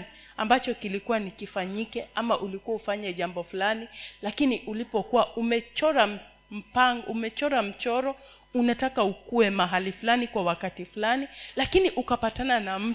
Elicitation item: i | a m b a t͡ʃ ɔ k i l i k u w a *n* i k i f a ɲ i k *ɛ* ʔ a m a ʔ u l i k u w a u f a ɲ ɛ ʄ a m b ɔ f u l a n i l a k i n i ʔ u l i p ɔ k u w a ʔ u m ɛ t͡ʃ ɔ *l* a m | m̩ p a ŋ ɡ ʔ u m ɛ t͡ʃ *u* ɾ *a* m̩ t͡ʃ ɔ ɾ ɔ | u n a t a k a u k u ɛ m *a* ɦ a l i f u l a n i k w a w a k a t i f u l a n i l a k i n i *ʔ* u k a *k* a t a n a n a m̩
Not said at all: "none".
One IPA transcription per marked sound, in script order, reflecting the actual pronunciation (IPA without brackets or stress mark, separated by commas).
n, ɛ, ɾ, ɔ, a, a, ʔ, p